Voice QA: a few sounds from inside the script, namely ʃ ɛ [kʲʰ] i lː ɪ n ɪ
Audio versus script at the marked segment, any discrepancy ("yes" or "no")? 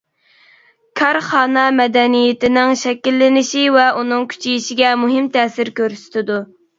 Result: yes